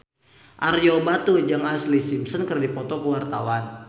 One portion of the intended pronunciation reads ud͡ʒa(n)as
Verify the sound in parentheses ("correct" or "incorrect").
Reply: incorrect